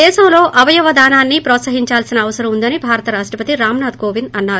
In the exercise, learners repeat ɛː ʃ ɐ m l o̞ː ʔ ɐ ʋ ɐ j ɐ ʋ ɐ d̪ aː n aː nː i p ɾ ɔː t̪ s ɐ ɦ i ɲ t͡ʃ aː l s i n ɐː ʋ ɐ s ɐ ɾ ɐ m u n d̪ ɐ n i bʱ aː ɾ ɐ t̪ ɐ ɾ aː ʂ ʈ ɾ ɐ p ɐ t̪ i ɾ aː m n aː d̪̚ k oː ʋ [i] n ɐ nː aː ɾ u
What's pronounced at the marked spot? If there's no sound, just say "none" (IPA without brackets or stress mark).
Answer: i